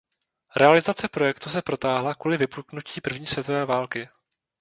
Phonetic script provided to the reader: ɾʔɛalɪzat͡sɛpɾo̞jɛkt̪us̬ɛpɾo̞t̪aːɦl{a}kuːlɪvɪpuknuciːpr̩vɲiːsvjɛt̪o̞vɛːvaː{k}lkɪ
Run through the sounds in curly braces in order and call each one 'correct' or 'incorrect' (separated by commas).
correct, incorrect